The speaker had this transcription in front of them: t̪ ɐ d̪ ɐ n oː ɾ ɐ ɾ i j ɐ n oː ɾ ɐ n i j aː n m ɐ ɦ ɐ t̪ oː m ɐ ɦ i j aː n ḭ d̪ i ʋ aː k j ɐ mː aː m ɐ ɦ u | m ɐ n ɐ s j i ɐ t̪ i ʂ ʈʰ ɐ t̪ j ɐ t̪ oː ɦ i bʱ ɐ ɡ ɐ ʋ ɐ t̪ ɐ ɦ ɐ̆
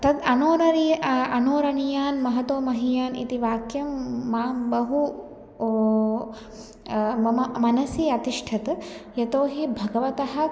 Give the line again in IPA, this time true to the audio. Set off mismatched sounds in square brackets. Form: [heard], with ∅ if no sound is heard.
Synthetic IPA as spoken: t̪ ɐ d̪ ɐ n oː ɾ ɐ ɾ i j ɐ n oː ɾ ɐ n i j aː n m ɐ ɦ ɐ t̪ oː m ɐ ɦ i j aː n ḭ [t̪] i ʋ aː k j ɐ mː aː [b] ɐ ɦ u | m ɐ n ɐ s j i ɐ t̪ i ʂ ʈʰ ɐ t̪ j ɐ t̪ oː ɦ i bʱ ɐ ɡ ɐ ʋ ɐ t̪ ɐ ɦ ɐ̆